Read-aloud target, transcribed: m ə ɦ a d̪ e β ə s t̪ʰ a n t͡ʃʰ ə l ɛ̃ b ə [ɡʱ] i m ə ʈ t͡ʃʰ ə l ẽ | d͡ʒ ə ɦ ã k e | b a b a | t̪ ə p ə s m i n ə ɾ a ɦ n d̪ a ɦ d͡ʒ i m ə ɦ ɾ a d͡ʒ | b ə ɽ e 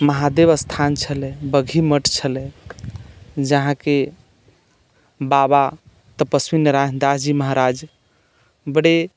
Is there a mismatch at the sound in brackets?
no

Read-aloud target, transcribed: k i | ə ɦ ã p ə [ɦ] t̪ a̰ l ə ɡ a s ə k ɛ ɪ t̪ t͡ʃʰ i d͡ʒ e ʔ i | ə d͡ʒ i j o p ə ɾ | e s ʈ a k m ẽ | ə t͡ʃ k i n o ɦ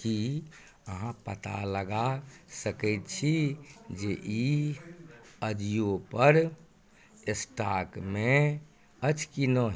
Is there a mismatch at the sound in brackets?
yes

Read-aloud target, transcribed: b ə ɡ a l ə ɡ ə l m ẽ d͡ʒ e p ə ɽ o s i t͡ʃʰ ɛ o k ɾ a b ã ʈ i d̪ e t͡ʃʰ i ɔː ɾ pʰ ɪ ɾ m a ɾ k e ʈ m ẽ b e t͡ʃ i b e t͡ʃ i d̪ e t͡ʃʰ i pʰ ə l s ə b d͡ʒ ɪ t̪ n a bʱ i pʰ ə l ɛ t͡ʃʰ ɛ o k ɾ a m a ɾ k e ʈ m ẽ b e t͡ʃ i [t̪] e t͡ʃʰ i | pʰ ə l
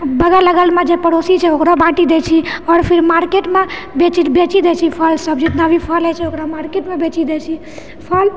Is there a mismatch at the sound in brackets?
yes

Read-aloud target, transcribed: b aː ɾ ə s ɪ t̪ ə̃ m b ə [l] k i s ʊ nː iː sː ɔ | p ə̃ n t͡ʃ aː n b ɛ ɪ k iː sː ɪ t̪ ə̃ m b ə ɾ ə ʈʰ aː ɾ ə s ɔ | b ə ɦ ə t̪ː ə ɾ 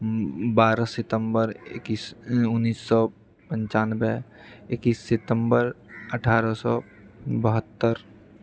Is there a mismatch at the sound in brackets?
yes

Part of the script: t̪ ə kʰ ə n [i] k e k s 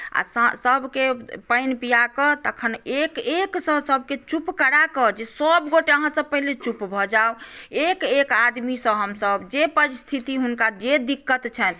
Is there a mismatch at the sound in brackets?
yes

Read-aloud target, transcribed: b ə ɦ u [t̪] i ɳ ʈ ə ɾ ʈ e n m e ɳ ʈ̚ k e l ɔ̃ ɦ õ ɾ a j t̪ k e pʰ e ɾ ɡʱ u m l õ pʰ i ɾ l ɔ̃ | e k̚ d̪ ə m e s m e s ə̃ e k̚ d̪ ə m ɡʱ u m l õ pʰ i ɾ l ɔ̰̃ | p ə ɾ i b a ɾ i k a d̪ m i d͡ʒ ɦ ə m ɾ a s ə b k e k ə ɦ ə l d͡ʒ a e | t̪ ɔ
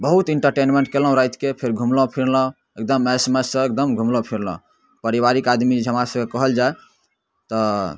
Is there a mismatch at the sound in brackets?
no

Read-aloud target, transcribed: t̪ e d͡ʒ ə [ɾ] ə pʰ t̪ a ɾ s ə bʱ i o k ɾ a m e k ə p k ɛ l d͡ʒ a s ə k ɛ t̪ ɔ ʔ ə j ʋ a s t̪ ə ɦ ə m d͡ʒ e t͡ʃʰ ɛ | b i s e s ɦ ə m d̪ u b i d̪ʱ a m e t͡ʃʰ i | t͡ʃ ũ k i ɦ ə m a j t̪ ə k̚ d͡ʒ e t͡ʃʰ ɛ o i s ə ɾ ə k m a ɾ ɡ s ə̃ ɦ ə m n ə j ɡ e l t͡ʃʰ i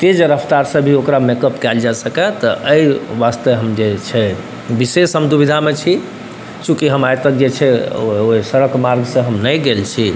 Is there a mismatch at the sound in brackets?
no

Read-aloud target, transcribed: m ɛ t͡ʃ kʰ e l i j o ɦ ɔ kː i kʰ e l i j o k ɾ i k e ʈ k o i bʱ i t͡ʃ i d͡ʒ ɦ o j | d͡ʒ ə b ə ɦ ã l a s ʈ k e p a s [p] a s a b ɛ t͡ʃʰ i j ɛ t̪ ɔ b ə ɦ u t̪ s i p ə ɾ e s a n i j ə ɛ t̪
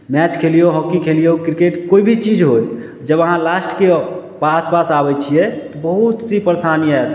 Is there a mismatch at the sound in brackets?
no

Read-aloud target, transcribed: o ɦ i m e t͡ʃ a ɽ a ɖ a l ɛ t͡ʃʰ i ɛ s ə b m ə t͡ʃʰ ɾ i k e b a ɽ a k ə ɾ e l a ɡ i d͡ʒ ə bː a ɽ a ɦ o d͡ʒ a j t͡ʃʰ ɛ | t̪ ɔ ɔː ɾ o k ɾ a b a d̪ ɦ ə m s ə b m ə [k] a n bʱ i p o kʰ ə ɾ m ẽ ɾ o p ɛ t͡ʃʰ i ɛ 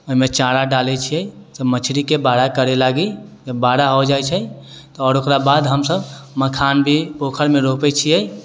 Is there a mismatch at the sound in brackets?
yes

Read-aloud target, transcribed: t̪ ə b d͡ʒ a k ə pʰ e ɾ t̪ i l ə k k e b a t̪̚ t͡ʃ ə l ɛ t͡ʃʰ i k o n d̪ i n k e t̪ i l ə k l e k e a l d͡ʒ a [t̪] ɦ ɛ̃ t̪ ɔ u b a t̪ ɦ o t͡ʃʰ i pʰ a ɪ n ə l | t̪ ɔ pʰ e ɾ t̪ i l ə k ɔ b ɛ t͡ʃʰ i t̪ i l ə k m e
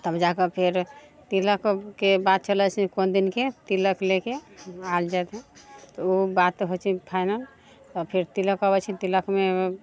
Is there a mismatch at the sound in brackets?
no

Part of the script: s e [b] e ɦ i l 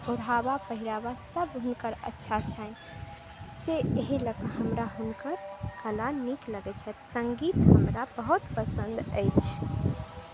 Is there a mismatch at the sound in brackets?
yes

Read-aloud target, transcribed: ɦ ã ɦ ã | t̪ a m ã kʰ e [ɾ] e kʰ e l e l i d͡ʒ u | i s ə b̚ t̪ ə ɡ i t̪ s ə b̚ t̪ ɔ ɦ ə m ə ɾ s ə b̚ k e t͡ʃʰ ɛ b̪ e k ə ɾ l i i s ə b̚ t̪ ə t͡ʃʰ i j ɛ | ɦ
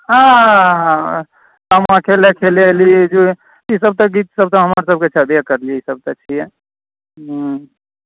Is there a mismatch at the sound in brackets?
yes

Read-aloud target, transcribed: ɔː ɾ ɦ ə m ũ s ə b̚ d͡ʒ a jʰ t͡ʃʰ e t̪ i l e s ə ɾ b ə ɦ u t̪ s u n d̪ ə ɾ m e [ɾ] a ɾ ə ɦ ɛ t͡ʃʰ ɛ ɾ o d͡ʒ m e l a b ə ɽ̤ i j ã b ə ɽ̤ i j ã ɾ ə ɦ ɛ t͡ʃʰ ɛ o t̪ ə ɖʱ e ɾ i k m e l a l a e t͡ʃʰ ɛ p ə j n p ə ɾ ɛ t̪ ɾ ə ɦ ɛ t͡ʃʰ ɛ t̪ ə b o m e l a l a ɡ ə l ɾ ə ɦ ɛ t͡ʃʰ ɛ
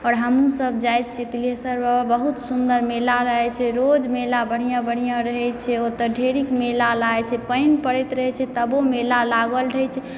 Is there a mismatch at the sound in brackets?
yes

